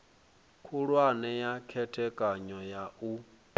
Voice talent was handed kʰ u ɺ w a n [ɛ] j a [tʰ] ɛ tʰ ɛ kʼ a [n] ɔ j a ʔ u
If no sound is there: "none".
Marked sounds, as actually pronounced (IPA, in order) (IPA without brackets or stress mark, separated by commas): ɛ, kʰ, ɲ